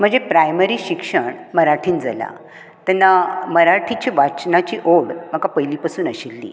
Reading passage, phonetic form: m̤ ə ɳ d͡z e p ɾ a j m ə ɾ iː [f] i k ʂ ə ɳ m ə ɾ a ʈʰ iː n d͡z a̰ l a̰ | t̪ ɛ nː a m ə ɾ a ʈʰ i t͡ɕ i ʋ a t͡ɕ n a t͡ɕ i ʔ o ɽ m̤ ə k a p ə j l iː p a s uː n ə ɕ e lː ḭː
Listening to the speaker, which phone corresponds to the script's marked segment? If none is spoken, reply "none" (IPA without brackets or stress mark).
ɕ